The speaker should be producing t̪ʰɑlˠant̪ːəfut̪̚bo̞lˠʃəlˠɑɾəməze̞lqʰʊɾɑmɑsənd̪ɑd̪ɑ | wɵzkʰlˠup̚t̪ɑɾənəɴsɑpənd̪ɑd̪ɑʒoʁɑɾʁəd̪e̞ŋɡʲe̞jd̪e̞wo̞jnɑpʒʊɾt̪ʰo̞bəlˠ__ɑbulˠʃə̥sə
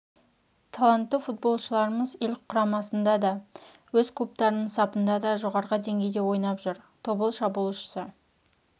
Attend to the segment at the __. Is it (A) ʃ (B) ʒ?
A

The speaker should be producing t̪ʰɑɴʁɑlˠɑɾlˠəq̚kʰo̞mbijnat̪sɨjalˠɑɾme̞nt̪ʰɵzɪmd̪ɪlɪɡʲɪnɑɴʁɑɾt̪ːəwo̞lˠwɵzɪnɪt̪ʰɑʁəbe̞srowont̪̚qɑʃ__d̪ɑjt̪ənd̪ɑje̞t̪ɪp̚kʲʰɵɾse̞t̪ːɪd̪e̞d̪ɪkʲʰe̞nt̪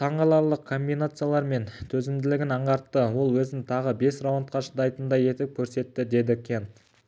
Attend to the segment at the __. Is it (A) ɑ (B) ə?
B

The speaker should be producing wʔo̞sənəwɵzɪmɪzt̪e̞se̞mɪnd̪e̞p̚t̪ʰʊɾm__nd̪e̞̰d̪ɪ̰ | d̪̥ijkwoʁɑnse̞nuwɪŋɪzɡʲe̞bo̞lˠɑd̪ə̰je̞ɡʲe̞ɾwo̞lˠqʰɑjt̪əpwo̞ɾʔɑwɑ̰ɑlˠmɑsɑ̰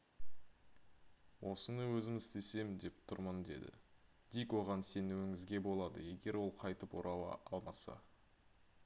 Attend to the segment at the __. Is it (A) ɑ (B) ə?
B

